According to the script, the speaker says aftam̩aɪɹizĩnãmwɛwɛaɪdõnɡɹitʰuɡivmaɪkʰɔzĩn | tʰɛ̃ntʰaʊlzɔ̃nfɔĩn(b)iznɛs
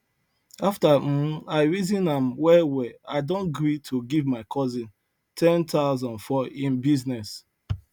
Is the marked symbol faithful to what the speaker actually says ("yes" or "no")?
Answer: yes